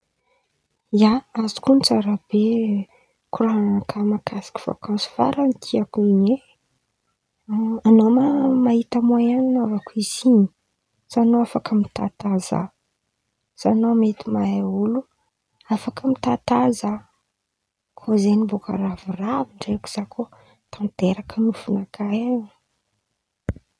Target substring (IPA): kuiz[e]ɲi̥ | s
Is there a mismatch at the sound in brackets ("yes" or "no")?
yes